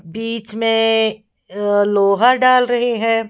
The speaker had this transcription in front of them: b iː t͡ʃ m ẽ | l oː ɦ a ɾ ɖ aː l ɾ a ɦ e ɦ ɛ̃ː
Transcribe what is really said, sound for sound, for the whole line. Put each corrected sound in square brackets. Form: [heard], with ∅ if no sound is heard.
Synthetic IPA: b iː t͡ʃ m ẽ | l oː ɦ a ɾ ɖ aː l ɾ [ɐ] ɦ e ɦ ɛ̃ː